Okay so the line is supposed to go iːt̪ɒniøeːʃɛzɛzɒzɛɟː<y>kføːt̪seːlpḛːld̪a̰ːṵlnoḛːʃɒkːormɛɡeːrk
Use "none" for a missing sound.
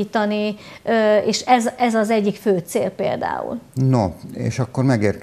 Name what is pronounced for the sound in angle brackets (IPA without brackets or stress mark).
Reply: i